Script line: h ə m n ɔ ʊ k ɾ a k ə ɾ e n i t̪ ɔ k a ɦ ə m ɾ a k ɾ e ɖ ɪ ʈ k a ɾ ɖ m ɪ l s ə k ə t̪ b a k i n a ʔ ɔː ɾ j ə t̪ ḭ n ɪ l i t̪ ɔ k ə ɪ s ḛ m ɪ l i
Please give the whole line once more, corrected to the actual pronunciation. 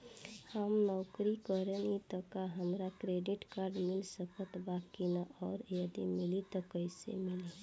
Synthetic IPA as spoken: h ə m n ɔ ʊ k ɾ i k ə ɾ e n i t̪ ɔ k a ɦ ə m ɾ a k ɾ e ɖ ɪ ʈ k a ɾ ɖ m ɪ l s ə k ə t̪ b a k i n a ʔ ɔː ɾ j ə d̪ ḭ m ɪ l i t̪ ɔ k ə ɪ s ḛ m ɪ l i